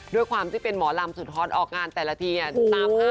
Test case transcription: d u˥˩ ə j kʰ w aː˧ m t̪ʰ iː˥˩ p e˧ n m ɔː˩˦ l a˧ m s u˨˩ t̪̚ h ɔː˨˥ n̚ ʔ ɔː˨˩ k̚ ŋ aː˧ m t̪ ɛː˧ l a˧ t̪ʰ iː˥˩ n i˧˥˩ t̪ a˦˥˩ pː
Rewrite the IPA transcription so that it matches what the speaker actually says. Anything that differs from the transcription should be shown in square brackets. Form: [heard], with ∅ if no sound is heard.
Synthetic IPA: d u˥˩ ə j kʰ w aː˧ m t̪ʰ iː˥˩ p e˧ n m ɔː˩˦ l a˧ m s u˨˩ t̪̚ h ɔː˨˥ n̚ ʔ ɔː˨˩ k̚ ŋ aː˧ [n] t̪ [ɛː˨˩] l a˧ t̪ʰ [iː˧] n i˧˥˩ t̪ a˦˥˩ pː